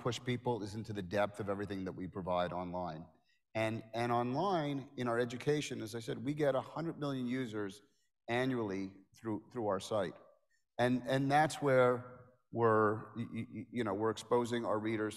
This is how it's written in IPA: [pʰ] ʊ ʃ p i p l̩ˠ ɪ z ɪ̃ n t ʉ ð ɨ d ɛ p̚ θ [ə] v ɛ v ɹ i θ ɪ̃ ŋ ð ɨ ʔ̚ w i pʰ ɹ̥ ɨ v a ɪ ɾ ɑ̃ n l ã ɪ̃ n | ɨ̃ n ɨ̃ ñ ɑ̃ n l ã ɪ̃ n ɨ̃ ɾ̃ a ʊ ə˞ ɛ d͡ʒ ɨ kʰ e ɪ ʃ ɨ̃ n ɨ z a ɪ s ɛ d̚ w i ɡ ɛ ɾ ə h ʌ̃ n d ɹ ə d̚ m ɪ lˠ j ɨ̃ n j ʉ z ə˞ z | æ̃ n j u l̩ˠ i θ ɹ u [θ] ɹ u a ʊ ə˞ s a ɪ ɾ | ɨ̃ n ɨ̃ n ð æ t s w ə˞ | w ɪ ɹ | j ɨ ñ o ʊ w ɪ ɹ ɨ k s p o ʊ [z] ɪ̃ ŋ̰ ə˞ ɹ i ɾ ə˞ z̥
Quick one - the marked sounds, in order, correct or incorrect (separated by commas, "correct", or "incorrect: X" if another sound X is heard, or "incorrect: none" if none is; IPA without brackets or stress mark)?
correct, incorrect: ʌ, correct, correct